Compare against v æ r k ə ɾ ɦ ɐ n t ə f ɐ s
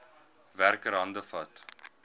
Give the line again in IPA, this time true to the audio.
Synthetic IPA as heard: v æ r k ə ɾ ɦ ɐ n d ə f ɐ t